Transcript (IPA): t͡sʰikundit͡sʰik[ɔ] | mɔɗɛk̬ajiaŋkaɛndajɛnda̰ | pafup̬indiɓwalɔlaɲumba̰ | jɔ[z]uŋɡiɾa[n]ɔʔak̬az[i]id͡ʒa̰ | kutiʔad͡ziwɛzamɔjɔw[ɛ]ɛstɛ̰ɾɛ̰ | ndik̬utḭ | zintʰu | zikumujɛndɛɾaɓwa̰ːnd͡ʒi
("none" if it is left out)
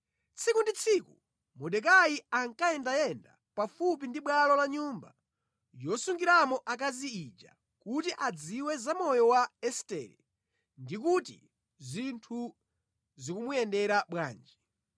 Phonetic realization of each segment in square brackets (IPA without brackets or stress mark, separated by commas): u, s, m, i, a